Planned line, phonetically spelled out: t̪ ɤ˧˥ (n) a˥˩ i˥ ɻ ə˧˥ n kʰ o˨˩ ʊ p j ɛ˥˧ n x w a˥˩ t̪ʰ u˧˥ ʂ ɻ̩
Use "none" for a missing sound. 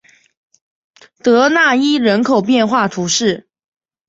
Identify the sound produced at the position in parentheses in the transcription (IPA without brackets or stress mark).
n